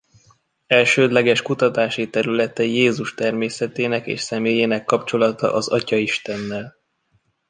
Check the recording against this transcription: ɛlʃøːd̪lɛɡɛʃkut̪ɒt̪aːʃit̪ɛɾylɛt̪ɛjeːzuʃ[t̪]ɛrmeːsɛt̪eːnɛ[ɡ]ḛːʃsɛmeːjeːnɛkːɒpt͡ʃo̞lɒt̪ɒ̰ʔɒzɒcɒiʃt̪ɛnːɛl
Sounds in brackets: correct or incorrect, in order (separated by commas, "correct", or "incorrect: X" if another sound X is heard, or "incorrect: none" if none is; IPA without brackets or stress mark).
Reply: correct, incorrect: k